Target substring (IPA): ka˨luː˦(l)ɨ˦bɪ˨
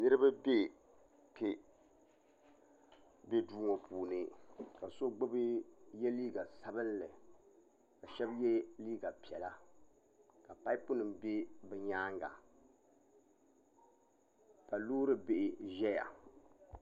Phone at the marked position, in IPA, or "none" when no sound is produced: ɾ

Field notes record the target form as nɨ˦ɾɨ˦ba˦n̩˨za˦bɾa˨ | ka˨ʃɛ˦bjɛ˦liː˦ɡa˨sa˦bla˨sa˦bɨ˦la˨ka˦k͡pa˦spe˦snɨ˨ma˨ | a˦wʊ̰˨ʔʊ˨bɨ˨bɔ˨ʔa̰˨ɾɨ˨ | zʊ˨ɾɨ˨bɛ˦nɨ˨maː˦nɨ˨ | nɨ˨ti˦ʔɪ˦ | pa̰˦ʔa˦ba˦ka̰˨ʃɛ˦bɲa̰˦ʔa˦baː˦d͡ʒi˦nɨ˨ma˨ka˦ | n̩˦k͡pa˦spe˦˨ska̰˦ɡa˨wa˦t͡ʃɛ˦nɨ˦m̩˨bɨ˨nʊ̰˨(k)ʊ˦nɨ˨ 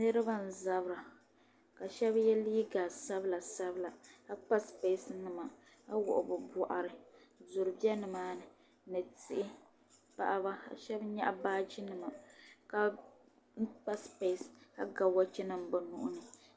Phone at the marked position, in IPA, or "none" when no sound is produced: ʔ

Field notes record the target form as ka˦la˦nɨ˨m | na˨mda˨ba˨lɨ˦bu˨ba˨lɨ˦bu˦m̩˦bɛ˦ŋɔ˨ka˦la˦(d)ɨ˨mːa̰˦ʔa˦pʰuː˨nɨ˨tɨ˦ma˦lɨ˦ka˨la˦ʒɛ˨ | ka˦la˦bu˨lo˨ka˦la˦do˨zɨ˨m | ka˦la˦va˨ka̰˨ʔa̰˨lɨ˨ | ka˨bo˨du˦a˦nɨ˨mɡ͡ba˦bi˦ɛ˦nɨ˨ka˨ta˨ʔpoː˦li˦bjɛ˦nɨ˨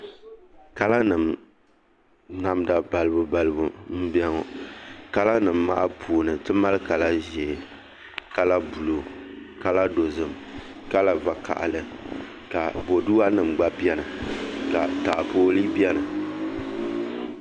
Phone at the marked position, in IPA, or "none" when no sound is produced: n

